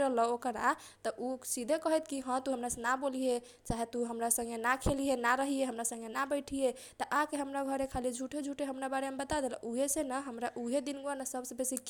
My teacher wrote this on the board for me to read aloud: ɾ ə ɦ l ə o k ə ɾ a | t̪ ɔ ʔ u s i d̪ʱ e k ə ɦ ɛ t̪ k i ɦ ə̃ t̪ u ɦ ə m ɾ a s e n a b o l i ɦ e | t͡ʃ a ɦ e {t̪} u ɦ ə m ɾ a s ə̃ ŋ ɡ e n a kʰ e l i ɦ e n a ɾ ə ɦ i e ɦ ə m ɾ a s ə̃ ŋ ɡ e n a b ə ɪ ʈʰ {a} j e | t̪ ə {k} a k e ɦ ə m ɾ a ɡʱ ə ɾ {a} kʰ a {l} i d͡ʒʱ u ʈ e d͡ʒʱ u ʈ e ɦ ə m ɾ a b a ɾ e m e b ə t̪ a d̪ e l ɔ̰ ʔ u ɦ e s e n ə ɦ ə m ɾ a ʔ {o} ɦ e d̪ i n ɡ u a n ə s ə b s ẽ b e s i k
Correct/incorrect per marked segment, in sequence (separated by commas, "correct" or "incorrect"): correct, incorrect, incorrect, incorrect, correct, incorrect